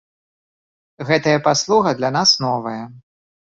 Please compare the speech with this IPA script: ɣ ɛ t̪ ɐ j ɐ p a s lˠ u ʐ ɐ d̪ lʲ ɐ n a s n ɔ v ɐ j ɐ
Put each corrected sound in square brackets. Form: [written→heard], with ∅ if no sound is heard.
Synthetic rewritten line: ɣ ɛ t̪ ɐ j ɐ p a s lˠ u [ʐ→ɣ] ɐ d̪ lʲ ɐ n a s n ɔ v ɐ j ɐ